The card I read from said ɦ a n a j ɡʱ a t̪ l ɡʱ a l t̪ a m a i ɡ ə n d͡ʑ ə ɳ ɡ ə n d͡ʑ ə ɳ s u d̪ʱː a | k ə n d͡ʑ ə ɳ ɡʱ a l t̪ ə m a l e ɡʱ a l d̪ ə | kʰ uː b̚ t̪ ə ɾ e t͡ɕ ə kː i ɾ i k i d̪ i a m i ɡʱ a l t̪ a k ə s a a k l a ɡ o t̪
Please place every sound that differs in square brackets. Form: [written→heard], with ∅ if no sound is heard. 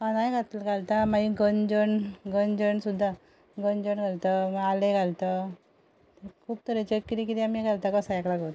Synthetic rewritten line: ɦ a n a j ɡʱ a t̪ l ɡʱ a l t̪ a m a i ɡ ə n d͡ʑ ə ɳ ɡ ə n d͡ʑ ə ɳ s u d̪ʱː a | [k→ɡ] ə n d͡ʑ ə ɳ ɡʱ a l t̪ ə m a l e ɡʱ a l [d̪→t̪] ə | kʰ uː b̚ t̪ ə ɾ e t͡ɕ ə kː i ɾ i k i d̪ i a m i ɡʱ a l t̪ a k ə s a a k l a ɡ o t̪